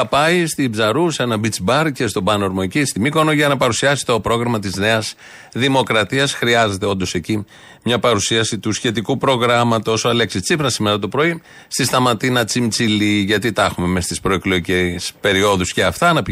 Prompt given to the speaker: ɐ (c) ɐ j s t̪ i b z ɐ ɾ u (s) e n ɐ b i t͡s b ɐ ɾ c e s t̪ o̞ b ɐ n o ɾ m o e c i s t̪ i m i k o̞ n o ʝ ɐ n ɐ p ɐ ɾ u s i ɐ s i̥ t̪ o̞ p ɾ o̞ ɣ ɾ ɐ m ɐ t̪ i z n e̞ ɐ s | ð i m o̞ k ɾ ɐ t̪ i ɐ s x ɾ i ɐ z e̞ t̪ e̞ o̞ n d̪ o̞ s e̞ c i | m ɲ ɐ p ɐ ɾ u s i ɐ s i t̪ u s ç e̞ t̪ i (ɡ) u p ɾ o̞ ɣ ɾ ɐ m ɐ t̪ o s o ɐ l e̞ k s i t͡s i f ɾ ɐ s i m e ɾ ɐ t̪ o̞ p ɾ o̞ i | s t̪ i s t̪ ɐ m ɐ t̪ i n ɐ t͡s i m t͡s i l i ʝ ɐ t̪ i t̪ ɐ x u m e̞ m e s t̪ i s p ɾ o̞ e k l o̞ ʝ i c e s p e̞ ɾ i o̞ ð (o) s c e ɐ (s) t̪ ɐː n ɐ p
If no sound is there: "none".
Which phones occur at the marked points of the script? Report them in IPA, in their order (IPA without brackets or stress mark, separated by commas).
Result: p, s, k, u, f